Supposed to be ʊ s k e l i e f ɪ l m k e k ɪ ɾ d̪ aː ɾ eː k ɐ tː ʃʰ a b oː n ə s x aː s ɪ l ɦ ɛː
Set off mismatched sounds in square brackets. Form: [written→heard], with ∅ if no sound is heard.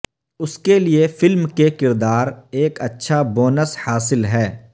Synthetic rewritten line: ʊ s k e l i e f ɪ l m k e k ɪ ɾ d̪ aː ɾ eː k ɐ tː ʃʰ a b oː n ə s [x→h] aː s ɪ l ɦ ɛː